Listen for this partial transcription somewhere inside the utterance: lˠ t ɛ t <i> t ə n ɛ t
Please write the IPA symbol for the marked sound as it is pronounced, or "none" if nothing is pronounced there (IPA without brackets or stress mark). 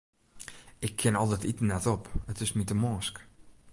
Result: i